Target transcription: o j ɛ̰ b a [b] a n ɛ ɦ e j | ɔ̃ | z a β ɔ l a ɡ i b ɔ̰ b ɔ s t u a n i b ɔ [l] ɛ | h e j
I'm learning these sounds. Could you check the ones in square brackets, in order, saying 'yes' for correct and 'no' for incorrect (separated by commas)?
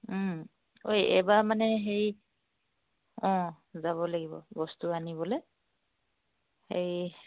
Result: no, yes